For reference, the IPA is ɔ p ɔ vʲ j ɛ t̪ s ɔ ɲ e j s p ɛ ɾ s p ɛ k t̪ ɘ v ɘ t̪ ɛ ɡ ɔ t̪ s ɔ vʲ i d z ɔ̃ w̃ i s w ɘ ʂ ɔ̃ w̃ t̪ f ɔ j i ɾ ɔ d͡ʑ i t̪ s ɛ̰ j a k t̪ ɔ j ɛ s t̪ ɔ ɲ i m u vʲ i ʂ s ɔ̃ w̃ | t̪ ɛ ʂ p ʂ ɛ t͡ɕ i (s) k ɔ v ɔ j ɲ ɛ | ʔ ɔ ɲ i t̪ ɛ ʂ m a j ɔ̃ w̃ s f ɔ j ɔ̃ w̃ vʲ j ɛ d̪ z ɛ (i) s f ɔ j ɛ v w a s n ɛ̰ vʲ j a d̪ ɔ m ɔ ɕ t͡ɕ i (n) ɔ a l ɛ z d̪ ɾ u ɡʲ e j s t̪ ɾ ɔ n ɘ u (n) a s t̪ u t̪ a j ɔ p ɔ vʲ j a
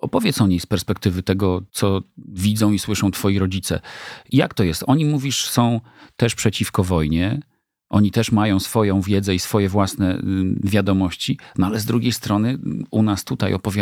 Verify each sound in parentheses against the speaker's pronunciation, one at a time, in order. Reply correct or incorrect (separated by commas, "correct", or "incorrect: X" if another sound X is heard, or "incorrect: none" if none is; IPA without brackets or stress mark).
incorrect: f, correct, correct, correct